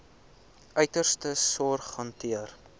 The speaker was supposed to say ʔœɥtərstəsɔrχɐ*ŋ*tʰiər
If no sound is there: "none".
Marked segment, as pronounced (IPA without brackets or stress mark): n